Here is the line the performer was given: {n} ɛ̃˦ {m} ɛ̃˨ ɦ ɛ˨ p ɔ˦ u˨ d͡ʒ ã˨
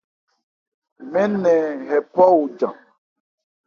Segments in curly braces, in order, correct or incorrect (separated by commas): incorrect, incorrect